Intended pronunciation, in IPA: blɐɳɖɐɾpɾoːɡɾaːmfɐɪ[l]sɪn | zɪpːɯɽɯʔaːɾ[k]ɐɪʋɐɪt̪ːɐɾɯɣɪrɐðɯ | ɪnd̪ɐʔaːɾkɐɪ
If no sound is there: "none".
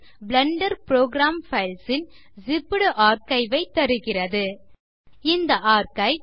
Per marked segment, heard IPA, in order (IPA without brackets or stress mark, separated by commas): l, k